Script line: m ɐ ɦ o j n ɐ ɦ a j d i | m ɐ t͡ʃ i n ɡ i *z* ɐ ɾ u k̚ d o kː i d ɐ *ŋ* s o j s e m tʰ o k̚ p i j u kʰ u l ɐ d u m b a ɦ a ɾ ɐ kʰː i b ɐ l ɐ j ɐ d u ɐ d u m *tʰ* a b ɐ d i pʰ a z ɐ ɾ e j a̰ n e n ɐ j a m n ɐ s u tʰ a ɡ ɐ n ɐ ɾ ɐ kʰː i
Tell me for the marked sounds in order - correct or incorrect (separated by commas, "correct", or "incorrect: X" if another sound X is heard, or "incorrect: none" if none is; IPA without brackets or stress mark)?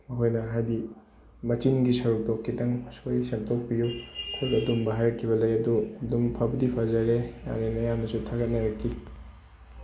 incorrect: s, correct, incorrect: pʰ